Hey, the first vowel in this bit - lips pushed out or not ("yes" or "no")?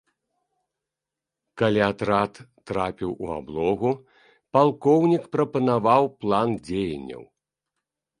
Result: no